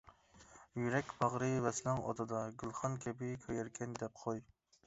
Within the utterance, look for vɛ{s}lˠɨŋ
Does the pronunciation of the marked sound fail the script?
no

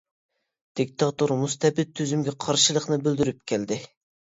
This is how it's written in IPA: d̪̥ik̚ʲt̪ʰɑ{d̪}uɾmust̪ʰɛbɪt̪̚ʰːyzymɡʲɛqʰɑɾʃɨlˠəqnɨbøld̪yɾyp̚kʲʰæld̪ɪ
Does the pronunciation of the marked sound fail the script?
yes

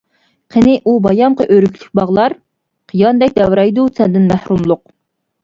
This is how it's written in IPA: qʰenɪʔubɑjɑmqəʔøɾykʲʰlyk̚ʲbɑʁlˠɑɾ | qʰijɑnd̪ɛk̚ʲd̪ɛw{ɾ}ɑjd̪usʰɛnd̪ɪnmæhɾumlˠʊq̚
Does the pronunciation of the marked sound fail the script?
no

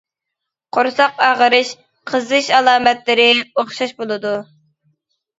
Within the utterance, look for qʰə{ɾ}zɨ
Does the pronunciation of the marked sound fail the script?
yes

